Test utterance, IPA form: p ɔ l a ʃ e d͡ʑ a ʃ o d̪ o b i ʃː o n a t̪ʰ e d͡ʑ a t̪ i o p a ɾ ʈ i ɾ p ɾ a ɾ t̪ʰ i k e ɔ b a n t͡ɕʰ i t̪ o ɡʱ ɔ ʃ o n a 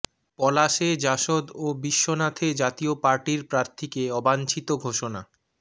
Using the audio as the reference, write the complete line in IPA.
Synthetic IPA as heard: p ɔ l a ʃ e d͡ʑ a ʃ o d̪ o b i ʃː o n a t̪ʰ e d͡ʑ a t̪ i o p a ɾ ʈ i ɾ p ɾ a ɾ t̪ʰ i k e ɔ b a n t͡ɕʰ i t̪ o ɡʱ o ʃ o n a

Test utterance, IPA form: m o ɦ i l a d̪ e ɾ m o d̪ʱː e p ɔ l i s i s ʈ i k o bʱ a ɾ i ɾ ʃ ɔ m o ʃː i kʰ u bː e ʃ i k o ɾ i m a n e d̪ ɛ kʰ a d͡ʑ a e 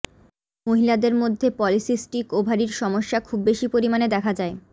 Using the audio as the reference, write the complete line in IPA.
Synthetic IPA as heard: m o ɦ i l a d̪ e ɾ m o d̪ʱː e p ɔ l i s i s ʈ i k o bʱ a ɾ i ɾ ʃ ɔ m o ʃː a kʰ u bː e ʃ i p o ɾ i m a n e d̪ ɛ kʰ a d͡ʑ a e

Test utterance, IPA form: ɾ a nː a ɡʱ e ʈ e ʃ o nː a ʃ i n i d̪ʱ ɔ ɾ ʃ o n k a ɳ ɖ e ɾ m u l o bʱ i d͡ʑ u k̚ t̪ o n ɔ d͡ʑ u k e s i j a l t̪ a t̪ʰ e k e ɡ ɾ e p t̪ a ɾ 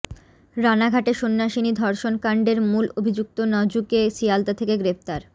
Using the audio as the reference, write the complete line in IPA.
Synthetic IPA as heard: ɾ a n a ɡʱ a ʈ e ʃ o nː a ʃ i n i d̪ʱ ɔ ɾ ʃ o n k a ɳ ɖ e ɾ m u l o bʱ i d͡ʑ u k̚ t̪ o n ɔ d͡ʑ u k e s i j a l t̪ a t̪ʰ e k e ɡ ɾ e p t̪ a ɾ

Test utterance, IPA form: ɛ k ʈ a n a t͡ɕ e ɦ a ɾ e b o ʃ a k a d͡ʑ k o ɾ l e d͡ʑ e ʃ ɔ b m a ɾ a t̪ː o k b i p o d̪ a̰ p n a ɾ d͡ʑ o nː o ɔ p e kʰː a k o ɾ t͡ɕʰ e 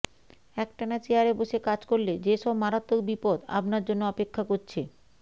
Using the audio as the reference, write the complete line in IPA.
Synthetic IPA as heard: ɛ k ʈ a n a t͡ɕ e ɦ a ɾ e b o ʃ e k a d͡ʑ k o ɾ l e d͡ʑ e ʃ ɔ b m a ɾ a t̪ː o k b i p o d̪ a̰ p n a ɾ d͡ʑ o nː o ɔ p e kʰː a k o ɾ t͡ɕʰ e

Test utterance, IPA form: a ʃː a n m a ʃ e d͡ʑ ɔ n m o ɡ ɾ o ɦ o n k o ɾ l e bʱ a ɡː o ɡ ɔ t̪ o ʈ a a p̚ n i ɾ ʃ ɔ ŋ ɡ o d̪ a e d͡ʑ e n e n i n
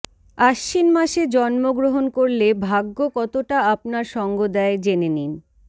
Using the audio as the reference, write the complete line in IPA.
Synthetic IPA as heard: a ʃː i n m a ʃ e d͡ʑ ɔ n m o ɡ ɾ o ɦ o n k o ɾ l e bʱ a ɡː o k ɔ t̪ o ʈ a a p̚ n a ɾ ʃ ɔ ŋ ɡ o d̪ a e d͡ʑ e n e n i n

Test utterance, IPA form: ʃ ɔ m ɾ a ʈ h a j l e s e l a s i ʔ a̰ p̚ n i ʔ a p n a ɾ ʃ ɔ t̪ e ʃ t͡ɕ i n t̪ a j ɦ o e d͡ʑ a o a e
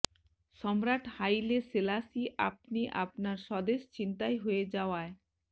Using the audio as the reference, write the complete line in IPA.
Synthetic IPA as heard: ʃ ɔ m ɾ a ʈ h a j l e s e l a s i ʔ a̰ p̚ n i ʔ a p n a ɾ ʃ ɔ d̪ e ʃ t͡ɕ i n t̪ a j ɦ o e d͡ʑ a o a e

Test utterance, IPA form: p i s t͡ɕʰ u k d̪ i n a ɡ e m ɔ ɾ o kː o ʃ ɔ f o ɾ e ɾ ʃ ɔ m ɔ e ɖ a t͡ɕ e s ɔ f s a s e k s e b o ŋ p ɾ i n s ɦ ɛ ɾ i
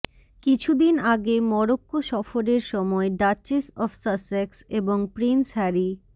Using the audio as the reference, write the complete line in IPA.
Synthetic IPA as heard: k i t͡ɕʰ u d̪ i n a ɡ e m ɔ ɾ o kː o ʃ ɔ f o ɾ e ɾ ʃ ɔ m ɔ e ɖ a t͡ɕ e s ɔ f s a s e k s e b o ŋ p ɾ i n s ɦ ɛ ɾ i

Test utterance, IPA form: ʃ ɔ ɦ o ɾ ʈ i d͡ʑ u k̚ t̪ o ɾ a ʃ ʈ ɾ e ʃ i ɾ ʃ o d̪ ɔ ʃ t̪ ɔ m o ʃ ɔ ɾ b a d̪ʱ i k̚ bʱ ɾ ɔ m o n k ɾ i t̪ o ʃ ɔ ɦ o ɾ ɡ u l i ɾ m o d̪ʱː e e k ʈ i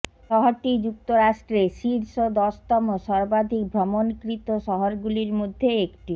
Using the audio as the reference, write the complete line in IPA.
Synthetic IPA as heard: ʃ ɔ ɦ o ɾ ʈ i d͡ʑ u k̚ t̪ o ɾ a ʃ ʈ ɾ e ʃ i ɾ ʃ o d̪ ɔ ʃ t̪ ɔ m o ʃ ɔ ɾ b a d̪ʱ i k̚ bʱ ɾ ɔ m o n k ɾ i t̪ o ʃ ɔ ɦ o ɾ ɡ u l i ɾ m o d̪ʱː e e k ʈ i

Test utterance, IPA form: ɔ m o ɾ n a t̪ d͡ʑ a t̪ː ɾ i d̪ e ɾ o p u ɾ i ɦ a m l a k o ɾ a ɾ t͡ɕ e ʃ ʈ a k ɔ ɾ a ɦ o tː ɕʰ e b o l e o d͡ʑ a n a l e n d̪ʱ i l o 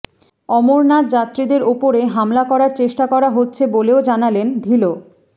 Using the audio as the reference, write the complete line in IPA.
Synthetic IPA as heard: ɔ m o ɾ n a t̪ d͡ʑ a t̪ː ɾ i d̪ e ɾ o p o ɾ e ɦ a m l a k ɔ ɾ a ɾ t͡ɕ e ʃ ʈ a k ɔ ɾ a ɦ o tː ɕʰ e b o l e o d͡ʑ a n a l e n d̪ʱ i l o

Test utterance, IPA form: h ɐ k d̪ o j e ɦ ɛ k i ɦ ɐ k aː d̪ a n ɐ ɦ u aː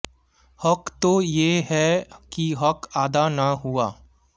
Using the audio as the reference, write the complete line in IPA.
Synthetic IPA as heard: h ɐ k t̪ o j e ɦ ɛ k i ɦ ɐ k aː d̪ a n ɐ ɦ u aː

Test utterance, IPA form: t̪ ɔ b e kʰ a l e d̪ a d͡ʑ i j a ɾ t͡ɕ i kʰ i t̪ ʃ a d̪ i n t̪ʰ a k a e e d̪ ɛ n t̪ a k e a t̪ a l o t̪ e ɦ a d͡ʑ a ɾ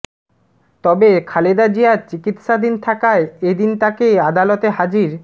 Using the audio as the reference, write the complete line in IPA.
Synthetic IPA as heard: t̪ ɔ b e kʰ a l e d̪ a d͡ʑ i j a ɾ t͡ɕ i k i t̪ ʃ a d̪ i n t̪ʰ a k a e e d̪ i n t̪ a k e a d̪ a l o t̪ e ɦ a d͡ʑ i ɾ

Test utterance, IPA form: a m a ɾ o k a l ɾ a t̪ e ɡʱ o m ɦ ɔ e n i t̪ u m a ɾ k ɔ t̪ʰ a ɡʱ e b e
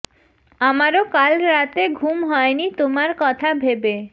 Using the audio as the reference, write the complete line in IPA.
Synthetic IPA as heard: a m a ɾ o k a l ɾ a t̪ e ɡʱ u m ɦ ɔ e n i t̪ o m a ɾ k ɔ t̪ʰ a bʱ e b e

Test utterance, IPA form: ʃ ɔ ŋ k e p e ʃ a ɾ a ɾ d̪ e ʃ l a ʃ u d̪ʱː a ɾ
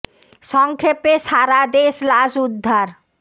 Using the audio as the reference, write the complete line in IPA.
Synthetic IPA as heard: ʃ ɔ ŋ kʰ e p e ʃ a ɾ a d̪ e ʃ l a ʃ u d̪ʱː a ɾ

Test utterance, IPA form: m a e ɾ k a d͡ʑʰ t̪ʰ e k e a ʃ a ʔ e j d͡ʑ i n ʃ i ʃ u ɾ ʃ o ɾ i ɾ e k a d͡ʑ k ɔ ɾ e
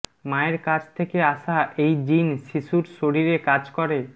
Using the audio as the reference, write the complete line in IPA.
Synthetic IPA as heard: m a e ɾ k a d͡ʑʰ t̪ʰ e k e a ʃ a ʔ e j d͡ʑ i n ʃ i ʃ u ɾ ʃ o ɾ i ɾ e k a d͡ʑ k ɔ ɾ e

